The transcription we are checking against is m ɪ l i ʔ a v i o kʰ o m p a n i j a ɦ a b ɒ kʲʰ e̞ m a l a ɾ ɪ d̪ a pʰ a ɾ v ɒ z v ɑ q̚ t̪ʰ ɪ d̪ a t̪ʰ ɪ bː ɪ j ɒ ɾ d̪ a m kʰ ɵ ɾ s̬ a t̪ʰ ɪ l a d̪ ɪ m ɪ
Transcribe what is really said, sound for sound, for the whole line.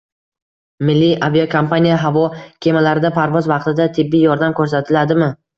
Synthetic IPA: m ɪ lː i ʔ a v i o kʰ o m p a n i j a ɦ a v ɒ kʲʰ e̞ m a l a ɾ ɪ d̪ a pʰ a ɾ v ɒ z v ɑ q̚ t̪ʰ ɪ d̪ a t̪ʰ ɪ bː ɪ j ɒ ɾ d̪ a m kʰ ɵ ɾ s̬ a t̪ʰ ɪ l a d̪ ɪ m ɪ

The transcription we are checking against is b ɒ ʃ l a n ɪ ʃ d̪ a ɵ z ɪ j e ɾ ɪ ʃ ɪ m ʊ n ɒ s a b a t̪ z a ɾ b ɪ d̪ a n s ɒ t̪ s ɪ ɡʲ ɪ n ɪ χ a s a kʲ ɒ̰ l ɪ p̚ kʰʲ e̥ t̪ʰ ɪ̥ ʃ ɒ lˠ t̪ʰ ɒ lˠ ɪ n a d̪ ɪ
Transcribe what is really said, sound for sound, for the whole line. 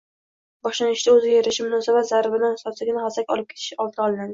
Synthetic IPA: b ɒ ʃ l a n ɪ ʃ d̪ a ɵ z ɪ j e ɾ ɪ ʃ ɪ m ʊ n ɒ s a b a t̪ z a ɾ b ɪ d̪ a n s ɒ t̪ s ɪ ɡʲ ɪ n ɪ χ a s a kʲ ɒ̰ l ɪ p̚ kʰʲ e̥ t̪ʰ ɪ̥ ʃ ɒ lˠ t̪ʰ ɒ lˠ ɪ n a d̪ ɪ

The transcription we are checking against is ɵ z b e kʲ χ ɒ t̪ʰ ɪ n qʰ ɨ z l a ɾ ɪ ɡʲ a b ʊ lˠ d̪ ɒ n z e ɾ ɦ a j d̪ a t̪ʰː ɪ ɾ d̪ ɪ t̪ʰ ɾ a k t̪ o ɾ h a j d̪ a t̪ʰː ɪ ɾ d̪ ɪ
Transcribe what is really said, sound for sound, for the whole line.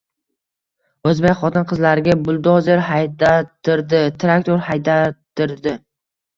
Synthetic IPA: ɵ z b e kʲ χ ɒ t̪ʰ ɪ n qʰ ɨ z l a ɾ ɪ ɡʲ a b ʊ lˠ d̪ ɒ z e ɾ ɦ a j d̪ a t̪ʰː ɪ ɾ d̪ ɪ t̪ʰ ɾ a k t̪ o ɾ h a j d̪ a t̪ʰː ɪ ɾ d̪ ɪ

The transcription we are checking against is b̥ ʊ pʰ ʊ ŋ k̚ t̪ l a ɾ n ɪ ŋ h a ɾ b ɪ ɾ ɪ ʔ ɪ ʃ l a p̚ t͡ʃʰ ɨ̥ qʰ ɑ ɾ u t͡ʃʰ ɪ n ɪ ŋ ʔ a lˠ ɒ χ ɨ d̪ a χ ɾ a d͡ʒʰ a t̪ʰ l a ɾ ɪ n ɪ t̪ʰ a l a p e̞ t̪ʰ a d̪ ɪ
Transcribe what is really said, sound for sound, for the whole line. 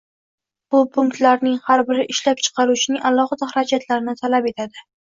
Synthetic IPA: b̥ ʊ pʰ ʊ ŋ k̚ t̪ l a ɾ n ɪ ŋ h a ɾ b ɪ ɾ ɪ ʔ ɪ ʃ l a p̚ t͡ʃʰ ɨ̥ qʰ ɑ ɾ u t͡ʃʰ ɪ n ɪ ŋ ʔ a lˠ ɒ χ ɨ d̪ a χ ɾ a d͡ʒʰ a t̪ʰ l a ɾ ɪ n ɪ t̪ʰ a l a p e̞ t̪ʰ a d̪ ɪ

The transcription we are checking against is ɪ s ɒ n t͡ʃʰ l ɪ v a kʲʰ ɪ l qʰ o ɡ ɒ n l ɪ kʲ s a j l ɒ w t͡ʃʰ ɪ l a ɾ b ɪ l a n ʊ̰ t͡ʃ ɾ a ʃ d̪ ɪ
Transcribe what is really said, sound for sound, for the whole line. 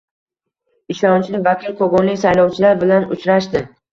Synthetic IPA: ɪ ʃ ɒ n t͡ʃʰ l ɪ v a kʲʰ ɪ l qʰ o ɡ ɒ n l ɪ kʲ s a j l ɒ w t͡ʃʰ ɪ l a ɾ b ɪ l a n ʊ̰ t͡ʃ ɾ a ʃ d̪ ɪ

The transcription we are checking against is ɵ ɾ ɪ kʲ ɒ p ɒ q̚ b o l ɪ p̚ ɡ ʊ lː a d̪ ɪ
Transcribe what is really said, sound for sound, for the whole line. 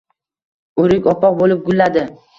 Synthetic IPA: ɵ ɾ ɪ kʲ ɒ p ɒ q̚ b o l ɪ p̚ ɡ ʊ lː a d̪ ɪ

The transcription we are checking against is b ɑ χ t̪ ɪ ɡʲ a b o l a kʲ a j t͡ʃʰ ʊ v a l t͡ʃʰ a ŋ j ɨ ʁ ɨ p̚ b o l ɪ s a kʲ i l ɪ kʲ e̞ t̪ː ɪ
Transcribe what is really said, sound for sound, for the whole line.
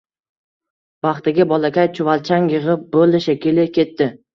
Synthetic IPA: b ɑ χ t̪ ɪ ɡʲ a b ɒ l a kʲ a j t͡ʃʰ ʊ v a l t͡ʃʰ a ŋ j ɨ ʁ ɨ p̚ b o l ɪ ʃ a kʲ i l ɪ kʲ e̞ t̪ː ɪ

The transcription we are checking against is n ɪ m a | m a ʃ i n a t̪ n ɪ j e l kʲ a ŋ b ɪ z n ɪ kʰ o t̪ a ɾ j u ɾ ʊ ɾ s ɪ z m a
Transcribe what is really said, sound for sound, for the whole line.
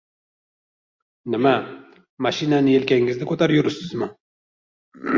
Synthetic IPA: n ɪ m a | m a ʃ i n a n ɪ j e l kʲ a ŋ ɡ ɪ z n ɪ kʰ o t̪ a ɾ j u ɾ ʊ s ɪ z m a

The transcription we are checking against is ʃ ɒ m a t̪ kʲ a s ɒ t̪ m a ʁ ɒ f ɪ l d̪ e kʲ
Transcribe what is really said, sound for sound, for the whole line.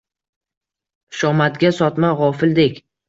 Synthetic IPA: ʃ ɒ m a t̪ ɡʲ a s ɒ t̪ m a ʁ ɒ f ɪ l d̪ e kʲ

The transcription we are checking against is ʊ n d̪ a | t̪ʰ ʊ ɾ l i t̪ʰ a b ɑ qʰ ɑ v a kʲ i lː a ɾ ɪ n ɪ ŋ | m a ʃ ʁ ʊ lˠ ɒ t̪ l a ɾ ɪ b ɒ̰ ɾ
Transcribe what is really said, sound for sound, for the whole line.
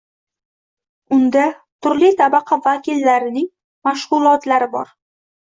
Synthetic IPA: ʊ n d̪ a | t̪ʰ ʊ ɾ l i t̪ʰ a b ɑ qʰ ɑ v a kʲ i lː a ɾ ɪ n ɪ ŋ | m a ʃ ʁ ʊ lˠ ɒ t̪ l a ɾ ɪ b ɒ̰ ɾ

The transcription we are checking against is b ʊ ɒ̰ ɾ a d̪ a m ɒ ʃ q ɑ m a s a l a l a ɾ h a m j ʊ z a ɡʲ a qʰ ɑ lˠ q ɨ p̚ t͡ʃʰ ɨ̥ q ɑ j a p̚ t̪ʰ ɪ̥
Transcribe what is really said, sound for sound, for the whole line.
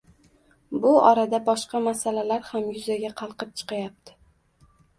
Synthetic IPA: b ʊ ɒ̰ ɾ a d̪ a b ɒ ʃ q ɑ m a s a l a l a ɾ h a m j ʊ z a ɡʲ a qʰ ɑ lˠ q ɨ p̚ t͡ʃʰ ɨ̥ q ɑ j a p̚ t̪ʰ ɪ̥

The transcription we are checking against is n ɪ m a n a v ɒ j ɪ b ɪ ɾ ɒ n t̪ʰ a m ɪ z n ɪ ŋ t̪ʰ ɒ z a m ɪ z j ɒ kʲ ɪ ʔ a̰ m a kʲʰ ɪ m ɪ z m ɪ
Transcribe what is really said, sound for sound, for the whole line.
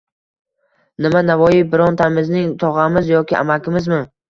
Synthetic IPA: n ɪ m a n a v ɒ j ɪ b ɪ ɾ ɒ n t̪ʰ a m ɪ z n ɪ ŋ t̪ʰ ɒ ʁ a m ɪ z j ɒ kʲ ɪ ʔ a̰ m a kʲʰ ɪ m ɪ z m ɪ

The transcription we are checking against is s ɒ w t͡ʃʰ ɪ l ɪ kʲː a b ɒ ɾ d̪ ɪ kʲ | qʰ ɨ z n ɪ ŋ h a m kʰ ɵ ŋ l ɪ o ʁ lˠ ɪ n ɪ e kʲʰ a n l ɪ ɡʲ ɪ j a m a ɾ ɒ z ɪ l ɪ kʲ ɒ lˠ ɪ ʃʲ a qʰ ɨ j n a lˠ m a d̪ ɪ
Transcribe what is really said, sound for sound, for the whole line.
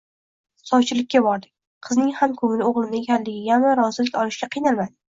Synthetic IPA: s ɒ w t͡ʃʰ ɪ l ɪ kʲː a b ɒ ɾ d̪ ɪ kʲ | qʰ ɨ z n ɪ ŋ h a m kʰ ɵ ŋ l ɪ o ʁ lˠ ɪ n ɪ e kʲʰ a n l ɪ ɡʲ ɪ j a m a ɾ ɒ z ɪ l ɪ kʲ ɒ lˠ ɪ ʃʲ a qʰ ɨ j n a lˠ m a d̪ ɪ

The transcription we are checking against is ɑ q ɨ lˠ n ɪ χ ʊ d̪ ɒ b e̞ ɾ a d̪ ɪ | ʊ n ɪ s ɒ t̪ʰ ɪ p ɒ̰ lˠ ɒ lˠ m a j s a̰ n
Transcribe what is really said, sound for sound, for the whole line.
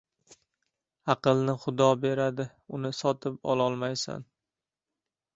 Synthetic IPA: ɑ q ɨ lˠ n ɪ χ ʊ d̪ ɒ b e̞ ɾ a d̪ ɪ | ʊ n ɪ s ɒ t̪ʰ ɪ p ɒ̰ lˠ ɒ lˠ m a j s a̰ n

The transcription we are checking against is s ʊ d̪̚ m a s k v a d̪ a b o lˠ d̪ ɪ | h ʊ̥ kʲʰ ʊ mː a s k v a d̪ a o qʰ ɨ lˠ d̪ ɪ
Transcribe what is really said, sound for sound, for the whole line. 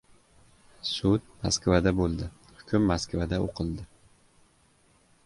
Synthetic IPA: s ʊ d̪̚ m a s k v a d̪ a b o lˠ d̪ ɪ | h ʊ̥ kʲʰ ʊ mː a s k v a d̪ a o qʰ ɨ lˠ d̪ ɪ

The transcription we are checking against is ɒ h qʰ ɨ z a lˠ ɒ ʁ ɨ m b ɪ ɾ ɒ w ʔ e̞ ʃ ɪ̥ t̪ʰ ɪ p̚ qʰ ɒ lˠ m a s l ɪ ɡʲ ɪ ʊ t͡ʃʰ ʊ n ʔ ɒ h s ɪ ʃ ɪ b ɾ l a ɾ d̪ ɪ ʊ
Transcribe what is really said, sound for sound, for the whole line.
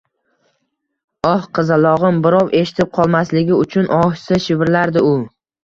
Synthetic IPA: ɒ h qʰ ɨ z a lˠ ɒ ʁ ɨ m b ɪ ɾ ɒ w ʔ e̞ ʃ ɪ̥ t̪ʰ ɪ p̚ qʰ ɒ lˠ m a s l ɪ ɡʲ ɪ ʊ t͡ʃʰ ʊ n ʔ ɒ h s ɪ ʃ ɪ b ɾ l a ɾ d̪ ɪ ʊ

